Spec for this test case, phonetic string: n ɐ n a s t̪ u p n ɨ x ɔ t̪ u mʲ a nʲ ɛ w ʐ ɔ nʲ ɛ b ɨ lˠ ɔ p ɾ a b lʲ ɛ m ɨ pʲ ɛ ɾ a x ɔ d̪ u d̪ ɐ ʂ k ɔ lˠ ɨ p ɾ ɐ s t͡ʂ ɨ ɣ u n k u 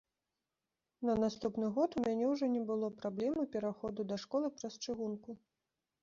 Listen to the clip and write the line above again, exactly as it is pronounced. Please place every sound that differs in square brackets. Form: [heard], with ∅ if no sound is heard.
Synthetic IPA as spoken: n ɐ n a s t̪ u p n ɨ [ɣ] ɔ t̪ u mʲ a nʲ ɛ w ʐ ɔ nʲ ɛ b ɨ lˠ ɔ p ɾ a b lʲ ɛ m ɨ pʲ ɛ ɾ a x ɔ d̪ u d̪ ɐ ʂ k ɔ lˠ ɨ p ɾ ɐ s t͡ʂ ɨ ɣ u n k u